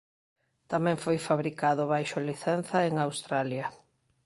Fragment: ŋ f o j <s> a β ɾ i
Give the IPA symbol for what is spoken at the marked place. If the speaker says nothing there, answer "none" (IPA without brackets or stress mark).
f